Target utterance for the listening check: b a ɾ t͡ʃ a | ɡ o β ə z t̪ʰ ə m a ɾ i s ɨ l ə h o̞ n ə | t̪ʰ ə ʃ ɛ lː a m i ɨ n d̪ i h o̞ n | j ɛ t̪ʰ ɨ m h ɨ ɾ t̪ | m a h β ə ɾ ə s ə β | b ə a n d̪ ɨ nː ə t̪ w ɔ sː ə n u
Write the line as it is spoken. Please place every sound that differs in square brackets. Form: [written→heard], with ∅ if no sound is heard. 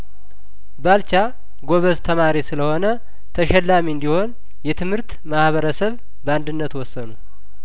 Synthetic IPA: b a [ɾ→l] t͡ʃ a | ɡ o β ə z t̪ʰ ə m a ɾ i s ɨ l ə h o̞ n ə | t̪ʰ ə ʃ ɛ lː a m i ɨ n d̪ i h o̞ n | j ɛ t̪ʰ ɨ m h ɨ ɾ t̪ | m a h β ə ɾ ə s ə β | b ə a n d̪ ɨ nː ə t̪ w ɔ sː ə n u